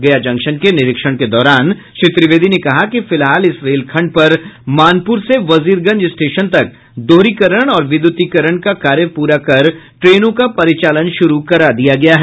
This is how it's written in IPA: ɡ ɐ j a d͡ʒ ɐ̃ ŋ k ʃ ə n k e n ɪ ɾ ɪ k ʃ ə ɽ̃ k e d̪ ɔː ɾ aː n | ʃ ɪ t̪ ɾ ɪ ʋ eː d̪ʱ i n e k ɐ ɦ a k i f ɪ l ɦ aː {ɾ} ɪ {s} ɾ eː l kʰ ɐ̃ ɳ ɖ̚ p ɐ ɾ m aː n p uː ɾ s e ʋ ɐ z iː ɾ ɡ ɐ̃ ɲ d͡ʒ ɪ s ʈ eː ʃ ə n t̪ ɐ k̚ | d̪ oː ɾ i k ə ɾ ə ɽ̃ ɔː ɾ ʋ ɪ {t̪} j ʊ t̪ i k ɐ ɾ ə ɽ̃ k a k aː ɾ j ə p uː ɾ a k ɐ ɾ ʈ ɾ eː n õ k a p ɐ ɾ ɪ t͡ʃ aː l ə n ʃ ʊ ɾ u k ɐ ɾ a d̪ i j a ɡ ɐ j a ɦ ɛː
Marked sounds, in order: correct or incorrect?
incorrect: l, correct, incorrect: d̪

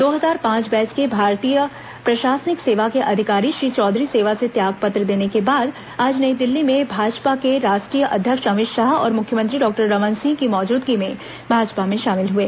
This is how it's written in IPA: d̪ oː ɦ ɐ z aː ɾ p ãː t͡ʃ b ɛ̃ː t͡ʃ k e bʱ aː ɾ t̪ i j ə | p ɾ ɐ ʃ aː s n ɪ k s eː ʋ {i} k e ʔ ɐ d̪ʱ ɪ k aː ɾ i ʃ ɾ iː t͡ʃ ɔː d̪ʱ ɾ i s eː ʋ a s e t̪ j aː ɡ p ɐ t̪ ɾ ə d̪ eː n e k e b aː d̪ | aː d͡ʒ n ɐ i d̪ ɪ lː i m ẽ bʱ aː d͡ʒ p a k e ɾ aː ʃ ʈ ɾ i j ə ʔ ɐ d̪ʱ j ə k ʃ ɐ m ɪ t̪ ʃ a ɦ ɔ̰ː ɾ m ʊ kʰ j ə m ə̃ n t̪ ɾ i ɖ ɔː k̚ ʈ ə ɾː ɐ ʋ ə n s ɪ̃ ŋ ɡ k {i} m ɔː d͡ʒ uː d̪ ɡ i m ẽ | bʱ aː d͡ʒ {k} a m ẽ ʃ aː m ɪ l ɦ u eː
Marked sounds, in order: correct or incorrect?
incorrect: a, correct, incorrect: p

